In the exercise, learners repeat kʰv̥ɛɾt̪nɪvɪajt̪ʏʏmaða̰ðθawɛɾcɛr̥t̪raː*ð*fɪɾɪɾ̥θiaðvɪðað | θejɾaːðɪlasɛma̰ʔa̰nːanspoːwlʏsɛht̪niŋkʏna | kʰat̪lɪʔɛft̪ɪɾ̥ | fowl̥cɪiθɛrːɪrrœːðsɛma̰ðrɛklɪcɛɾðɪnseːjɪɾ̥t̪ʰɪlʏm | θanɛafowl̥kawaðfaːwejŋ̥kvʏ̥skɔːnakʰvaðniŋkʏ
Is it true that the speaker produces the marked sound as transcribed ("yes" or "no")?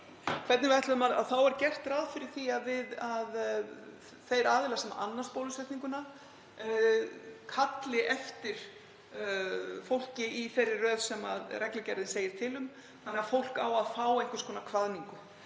yes